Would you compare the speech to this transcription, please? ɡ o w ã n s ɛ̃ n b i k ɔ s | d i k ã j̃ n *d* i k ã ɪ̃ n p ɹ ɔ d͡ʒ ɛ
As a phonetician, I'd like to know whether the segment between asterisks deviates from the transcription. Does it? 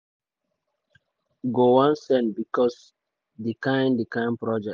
no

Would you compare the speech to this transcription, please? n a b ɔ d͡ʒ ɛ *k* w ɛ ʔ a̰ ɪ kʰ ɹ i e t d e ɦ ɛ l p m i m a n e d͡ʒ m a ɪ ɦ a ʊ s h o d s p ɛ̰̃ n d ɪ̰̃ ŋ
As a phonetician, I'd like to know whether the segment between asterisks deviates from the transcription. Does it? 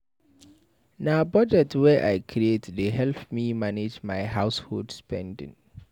yes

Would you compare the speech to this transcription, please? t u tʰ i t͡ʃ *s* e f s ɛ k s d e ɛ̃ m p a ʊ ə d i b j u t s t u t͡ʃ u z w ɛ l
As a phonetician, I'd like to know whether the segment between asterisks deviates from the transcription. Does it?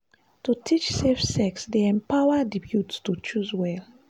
no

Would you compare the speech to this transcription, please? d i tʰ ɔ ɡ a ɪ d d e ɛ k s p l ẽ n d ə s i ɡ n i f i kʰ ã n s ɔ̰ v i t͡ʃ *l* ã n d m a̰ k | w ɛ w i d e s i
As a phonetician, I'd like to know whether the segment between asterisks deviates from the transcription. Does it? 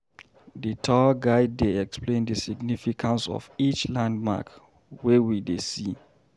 no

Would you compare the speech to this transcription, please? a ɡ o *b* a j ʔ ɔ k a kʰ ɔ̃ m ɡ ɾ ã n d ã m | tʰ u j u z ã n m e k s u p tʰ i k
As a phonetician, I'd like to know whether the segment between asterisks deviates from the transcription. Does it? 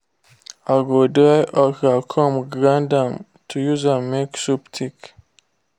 yes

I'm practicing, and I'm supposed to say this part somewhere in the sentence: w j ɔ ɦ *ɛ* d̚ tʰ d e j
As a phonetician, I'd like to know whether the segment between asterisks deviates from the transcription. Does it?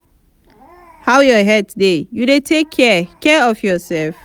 no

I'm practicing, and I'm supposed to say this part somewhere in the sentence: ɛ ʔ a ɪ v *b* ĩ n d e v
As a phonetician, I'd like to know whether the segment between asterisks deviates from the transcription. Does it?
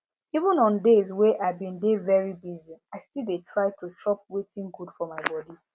no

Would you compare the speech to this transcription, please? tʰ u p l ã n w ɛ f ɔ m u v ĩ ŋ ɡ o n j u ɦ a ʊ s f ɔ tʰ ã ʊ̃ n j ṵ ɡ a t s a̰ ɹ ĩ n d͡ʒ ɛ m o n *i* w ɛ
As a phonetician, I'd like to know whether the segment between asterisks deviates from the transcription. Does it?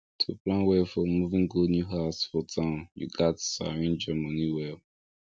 no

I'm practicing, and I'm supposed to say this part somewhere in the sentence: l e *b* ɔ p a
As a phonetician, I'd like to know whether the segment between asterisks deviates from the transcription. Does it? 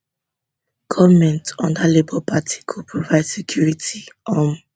no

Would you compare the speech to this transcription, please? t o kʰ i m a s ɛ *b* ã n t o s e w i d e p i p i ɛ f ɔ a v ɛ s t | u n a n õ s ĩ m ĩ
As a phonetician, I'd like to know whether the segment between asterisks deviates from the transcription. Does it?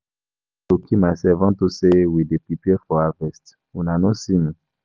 yes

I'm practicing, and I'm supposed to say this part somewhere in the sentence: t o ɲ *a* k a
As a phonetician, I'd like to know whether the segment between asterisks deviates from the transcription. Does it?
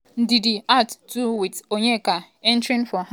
yes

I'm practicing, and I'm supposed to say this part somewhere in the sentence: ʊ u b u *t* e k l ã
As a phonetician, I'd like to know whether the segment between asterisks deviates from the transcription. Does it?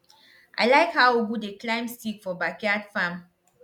yes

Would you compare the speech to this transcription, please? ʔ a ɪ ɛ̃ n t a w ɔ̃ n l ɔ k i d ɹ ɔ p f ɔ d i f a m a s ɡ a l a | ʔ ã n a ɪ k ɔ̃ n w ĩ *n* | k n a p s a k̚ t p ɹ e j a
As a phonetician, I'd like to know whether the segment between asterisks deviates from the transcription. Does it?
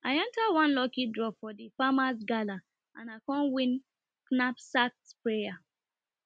no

